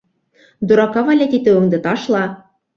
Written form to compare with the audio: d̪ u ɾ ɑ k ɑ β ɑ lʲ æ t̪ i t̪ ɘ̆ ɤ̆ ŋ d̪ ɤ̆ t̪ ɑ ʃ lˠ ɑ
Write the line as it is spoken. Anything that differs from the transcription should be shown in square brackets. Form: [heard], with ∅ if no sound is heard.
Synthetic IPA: d̪ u ɾ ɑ k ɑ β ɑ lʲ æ t̪ i t̪ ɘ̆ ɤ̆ ŋ d̪ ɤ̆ t̪ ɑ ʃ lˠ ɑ